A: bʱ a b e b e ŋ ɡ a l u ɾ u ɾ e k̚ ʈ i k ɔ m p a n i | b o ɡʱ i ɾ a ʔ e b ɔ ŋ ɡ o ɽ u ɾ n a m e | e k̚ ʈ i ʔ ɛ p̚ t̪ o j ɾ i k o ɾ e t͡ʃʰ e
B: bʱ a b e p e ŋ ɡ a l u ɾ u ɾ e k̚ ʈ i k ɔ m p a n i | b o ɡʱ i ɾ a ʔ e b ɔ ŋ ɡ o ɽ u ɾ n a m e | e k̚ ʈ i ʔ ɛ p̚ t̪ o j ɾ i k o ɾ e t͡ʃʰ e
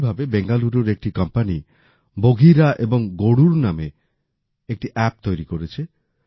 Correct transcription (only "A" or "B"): A